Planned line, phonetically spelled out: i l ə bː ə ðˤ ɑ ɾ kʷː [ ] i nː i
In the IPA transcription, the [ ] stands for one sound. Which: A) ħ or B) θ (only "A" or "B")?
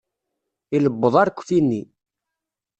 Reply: B